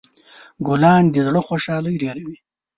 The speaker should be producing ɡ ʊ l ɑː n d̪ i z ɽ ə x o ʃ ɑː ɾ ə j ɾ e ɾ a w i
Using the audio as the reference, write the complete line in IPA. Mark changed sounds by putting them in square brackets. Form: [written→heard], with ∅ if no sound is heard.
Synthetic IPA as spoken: ɡ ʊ l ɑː n d̪ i z ɽ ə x o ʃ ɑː [ɾ→l] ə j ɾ e ɾ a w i